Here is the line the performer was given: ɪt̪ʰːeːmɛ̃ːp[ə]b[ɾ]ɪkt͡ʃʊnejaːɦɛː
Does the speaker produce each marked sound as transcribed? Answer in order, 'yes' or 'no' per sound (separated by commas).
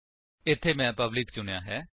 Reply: yes, no